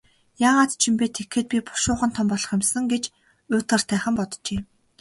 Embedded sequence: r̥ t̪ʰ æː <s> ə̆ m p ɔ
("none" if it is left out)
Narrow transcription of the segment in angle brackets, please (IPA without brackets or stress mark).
χ